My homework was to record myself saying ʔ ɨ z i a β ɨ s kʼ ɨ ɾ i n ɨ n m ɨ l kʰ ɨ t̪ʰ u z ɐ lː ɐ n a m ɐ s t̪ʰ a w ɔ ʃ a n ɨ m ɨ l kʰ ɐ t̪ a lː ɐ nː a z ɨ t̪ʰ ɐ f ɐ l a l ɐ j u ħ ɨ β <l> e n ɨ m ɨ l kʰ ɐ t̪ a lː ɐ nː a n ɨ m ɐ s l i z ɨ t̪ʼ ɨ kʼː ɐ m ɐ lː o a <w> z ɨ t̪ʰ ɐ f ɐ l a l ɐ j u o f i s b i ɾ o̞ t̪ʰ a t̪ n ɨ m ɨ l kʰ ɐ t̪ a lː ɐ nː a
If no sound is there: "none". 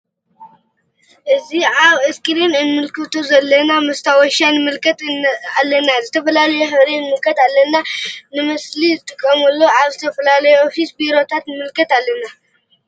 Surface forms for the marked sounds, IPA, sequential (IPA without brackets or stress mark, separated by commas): ɾ, β